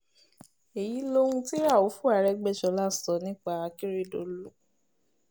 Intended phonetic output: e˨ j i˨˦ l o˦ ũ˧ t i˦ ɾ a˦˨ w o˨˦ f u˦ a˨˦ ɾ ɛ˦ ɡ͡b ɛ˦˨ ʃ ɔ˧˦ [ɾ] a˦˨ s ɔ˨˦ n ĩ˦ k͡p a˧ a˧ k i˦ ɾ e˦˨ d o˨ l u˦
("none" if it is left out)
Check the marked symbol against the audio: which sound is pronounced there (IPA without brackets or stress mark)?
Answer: l